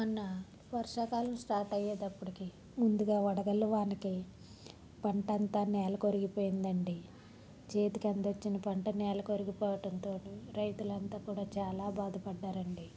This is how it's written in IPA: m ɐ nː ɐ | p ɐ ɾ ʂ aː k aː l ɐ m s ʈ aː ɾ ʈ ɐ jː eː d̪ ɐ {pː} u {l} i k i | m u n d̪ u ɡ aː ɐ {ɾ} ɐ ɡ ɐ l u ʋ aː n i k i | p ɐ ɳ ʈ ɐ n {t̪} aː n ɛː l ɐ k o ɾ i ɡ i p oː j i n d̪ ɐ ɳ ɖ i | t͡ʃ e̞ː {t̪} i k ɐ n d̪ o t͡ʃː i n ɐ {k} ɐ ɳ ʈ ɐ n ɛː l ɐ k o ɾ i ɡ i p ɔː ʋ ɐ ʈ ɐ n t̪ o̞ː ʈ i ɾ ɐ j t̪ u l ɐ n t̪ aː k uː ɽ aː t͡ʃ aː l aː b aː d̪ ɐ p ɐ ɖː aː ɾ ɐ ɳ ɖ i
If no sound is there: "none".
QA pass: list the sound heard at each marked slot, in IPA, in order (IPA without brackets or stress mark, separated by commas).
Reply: pː, ɽ, ɽ, t̪, t̪, p